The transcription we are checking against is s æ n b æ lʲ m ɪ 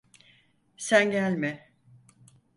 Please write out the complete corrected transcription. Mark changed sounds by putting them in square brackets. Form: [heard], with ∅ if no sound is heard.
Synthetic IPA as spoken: s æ n [ɟ] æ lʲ m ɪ